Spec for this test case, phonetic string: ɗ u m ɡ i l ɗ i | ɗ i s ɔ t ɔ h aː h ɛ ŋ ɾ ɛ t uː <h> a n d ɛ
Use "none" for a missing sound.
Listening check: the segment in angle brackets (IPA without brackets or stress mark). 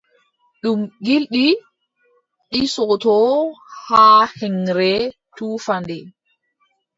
f